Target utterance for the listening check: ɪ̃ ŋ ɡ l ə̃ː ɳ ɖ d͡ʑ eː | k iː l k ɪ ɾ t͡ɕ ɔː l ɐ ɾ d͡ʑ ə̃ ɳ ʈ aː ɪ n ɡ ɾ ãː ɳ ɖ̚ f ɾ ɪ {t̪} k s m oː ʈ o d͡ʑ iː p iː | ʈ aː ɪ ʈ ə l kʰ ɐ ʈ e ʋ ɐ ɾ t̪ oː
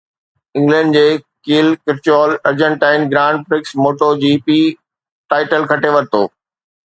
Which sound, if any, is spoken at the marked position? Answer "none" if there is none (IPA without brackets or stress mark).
none